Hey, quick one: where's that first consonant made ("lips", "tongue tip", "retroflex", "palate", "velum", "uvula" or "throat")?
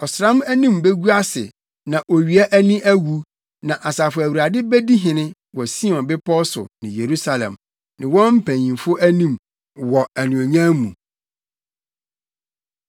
tongue tip